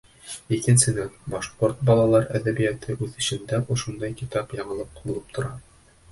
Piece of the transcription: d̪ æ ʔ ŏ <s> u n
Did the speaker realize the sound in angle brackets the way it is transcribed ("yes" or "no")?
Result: no